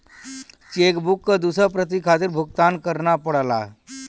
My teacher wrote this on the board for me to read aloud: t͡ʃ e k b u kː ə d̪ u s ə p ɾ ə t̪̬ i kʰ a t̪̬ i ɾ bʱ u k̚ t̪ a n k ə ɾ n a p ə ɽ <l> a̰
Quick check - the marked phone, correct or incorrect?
correct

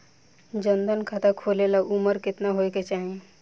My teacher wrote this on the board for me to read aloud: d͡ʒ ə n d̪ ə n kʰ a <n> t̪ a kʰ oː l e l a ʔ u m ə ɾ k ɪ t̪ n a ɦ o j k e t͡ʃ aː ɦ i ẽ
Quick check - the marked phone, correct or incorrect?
incorrect: none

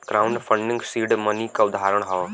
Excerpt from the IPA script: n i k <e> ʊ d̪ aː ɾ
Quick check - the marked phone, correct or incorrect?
incorrect: a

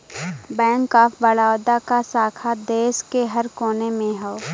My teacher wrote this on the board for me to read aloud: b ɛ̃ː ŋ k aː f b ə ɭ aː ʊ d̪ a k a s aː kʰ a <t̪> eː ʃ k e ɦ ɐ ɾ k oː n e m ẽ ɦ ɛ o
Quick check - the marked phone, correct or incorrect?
incorrect: d̪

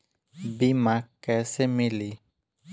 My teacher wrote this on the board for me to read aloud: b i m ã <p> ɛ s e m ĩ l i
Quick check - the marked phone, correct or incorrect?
incorrect: k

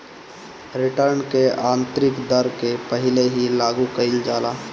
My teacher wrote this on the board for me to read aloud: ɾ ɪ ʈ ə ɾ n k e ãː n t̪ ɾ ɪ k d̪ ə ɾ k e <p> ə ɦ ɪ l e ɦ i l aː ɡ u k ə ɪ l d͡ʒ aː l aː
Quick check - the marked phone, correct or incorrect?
correct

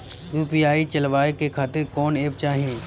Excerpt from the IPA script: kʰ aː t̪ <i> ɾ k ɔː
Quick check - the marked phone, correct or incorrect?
incorrect: ɪ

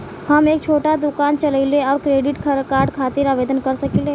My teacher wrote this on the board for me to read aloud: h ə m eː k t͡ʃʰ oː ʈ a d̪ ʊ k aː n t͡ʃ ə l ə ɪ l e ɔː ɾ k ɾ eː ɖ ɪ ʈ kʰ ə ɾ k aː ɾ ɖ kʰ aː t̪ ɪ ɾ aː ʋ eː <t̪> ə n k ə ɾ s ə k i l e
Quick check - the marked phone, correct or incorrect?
incorrect: d̪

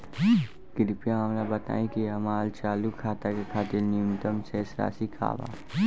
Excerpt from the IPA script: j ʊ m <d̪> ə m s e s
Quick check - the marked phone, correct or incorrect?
incorrect: t̪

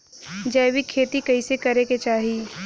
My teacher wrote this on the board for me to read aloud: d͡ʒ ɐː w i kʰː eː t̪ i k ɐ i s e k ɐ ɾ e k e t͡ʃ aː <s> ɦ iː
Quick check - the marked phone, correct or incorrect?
incorrect: none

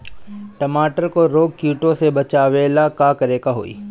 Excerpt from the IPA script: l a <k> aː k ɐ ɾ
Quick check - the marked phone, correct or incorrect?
correct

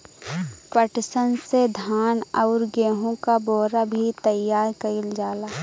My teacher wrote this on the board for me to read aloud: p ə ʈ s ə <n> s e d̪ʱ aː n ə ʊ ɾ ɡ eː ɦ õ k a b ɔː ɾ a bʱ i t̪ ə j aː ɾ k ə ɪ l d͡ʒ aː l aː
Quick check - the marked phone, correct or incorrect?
correct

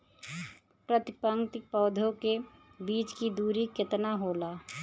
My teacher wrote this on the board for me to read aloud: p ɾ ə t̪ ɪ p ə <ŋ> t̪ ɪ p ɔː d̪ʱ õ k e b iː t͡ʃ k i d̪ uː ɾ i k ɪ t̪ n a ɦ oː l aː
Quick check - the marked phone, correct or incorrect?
correct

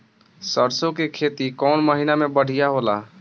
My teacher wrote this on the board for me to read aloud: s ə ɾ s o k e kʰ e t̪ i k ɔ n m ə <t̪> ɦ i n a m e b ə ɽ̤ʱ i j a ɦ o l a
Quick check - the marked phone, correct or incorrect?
incorrect: none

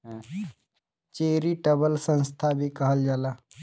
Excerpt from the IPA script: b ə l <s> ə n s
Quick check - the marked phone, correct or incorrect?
correct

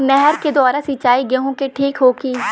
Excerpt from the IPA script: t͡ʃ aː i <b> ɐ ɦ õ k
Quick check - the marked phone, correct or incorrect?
incorrect: ɡ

